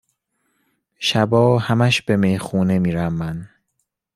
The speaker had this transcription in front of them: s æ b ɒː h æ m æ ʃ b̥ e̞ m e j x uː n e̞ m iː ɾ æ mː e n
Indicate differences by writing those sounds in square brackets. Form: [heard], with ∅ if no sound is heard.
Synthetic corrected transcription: [ʃ] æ b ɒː h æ m æ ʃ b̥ e̞ m e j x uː n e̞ m iː ɾ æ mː [æ] n